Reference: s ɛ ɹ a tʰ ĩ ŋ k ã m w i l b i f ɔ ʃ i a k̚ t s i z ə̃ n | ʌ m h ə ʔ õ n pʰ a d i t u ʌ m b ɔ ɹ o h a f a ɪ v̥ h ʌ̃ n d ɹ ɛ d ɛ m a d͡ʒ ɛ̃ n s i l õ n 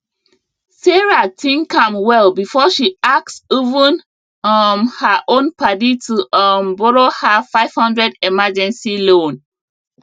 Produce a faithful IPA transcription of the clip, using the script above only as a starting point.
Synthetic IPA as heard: s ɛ ɹ a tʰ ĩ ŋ k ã m w ɛ l b i f ɔ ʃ i a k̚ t s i v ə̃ n | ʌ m h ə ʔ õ n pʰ a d i t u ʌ m b ɔ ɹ o h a f a ɪ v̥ h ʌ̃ n d ɹ ɛ d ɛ m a d͡ʒ ɛ̃ n s i l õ n